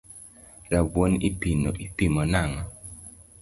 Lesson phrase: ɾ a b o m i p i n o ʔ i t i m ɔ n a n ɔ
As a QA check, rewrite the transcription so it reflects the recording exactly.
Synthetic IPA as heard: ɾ a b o n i p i n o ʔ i p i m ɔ n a ŋ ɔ